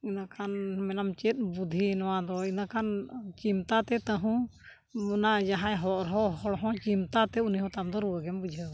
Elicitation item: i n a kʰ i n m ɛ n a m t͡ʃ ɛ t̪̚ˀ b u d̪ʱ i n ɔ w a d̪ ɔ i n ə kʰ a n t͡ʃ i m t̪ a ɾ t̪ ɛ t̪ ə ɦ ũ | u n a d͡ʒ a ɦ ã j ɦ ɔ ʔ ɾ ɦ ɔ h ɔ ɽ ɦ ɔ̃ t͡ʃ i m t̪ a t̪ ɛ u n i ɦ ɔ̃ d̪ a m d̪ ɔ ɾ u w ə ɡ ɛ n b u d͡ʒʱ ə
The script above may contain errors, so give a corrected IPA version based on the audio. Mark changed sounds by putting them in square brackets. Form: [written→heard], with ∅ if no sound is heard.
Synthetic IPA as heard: i n a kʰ [i→a] n m ɛ n a m t͡ʃ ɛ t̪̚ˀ b u d̪ʱ i n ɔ w a d̪ ɔ i n [ə→a] kʰ a n t͡ʃ i m t̪ a [ɾ→∅] t̪ ɛ t̪ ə ɦ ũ | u n a d͡ʒ a ɦ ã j ɦ ɔ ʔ ɾ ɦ ɔ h ɔ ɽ ɦ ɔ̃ t͡ʃ i m t̪ a t̪ ɛ u n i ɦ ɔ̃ [d̪→t̪] a m d̪ ɔ ɾ u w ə ɡ ɛ [n→m] b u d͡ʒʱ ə